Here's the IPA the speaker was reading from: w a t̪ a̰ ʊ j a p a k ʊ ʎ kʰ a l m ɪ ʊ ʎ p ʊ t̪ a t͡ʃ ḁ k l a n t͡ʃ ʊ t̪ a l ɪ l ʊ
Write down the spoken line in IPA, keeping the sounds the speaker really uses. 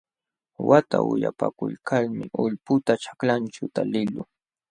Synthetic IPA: w a t̪ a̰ ʊ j a p a k ʊ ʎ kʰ a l m ɪ ʊ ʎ p ʊ t̪ a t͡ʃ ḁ k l a n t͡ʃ ʊ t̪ a l ɪ l ʊ